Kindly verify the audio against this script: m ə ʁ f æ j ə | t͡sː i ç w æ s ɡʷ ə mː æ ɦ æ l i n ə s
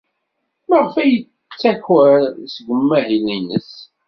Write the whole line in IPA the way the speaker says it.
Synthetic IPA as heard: m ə ʁ f æ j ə | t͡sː æ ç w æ s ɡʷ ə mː æ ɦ i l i n ə s